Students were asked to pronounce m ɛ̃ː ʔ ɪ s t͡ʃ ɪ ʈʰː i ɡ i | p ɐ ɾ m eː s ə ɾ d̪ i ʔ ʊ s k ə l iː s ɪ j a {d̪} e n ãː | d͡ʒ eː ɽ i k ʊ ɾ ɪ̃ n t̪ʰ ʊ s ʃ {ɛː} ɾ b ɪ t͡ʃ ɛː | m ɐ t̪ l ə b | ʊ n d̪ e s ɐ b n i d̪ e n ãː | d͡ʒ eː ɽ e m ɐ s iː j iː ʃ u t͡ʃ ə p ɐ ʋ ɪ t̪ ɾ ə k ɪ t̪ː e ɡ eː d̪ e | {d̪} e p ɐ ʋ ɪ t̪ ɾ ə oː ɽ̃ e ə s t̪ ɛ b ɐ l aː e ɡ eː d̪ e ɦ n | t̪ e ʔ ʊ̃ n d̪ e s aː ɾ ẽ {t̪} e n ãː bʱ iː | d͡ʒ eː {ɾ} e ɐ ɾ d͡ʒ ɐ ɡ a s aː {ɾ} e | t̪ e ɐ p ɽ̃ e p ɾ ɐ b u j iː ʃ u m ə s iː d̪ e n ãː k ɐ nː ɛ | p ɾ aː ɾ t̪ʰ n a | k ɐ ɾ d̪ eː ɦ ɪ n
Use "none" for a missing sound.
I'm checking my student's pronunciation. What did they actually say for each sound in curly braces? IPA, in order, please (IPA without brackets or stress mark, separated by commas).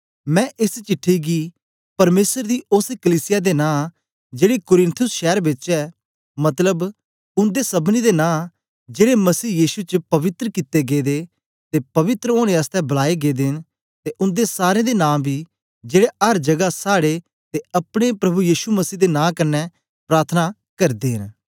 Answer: d̪, ɛː, t̪, d̪, ɽ, ɽ